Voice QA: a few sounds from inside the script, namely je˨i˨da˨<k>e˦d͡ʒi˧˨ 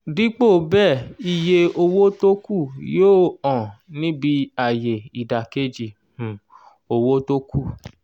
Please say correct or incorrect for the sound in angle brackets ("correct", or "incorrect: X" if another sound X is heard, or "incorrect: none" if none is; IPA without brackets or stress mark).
correct